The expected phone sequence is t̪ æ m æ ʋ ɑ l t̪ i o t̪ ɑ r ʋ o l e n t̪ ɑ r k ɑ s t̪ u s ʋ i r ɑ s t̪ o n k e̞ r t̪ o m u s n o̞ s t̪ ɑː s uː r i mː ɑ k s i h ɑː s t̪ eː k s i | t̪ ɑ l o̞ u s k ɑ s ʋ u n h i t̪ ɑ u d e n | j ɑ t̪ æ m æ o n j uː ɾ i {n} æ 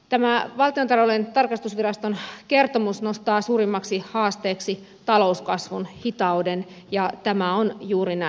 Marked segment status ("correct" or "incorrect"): correct